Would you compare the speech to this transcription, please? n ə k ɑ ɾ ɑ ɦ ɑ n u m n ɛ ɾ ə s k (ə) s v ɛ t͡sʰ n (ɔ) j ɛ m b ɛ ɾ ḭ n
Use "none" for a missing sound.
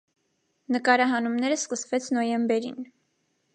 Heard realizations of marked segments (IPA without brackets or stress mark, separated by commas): ə, ɔ